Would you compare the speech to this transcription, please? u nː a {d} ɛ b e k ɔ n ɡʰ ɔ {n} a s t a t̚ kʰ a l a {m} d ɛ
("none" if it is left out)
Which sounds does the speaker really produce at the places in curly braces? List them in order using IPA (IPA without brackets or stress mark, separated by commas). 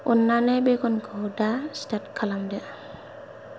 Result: n, d, m